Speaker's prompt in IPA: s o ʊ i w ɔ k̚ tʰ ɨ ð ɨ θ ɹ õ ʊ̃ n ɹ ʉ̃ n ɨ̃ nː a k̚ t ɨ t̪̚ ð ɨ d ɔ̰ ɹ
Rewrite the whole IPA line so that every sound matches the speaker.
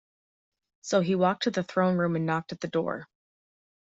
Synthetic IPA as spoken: s o ʊ i w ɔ k̚ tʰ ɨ ð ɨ θ ɹ õ ʊ̃ n ɹ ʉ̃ m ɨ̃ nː ɑ k̚ t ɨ t̪̚ ð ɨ d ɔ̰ ɹ